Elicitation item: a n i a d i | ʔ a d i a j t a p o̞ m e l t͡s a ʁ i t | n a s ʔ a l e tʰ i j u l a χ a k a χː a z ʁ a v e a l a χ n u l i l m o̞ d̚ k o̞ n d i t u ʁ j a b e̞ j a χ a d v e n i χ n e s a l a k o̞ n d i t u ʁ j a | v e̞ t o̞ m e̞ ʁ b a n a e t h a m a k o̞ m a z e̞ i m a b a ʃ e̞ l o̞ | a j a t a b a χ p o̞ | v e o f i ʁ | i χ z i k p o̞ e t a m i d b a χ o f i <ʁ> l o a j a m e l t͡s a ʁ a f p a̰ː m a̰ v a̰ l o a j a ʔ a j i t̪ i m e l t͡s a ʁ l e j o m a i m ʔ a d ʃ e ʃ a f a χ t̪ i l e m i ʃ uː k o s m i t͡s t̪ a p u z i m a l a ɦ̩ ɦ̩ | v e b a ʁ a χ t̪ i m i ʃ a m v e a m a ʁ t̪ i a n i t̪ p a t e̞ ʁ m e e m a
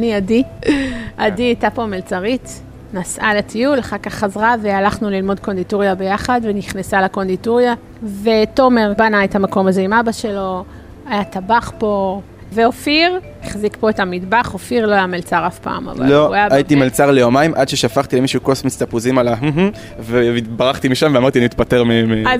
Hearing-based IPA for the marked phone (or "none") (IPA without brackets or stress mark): ʁ